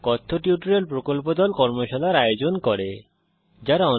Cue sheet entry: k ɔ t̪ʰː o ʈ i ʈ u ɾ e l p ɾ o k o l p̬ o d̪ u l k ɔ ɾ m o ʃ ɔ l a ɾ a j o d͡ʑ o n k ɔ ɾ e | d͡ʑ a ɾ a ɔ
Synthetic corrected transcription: k ɔ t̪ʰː o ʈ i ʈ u ɾ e l p ɾ o k o l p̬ o d̪ ɔ l k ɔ ɾ m o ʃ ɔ l a ɾ a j o d͡ʑ o n k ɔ ɾ e | d͡ʑ a ɾ a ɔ